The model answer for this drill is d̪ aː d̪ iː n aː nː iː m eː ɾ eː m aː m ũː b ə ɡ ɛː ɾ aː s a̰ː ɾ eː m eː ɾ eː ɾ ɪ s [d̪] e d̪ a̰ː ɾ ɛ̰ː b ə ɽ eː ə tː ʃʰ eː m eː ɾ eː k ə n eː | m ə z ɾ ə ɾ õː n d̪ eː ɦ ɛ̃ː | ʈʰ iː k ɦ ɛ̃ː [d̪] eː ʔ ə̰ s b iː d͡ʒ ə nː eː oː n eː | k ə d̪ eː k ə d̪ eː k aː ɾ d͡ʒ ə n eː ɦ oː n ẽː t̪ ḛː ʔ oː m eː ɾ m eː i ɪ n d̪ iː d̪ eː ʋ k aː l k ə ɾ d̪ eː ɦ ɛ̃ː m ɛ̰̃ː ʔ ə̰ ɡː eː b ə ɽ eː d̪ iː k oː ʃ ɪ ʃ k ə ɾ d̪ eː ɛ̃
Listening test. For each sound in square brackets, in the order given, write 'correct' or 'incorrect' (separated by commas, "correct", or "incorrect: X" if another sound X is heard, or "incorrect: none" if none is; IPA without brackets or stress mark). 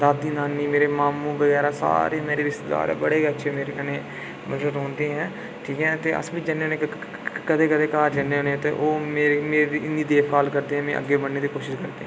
incorrect: t̪, incorrect: t̪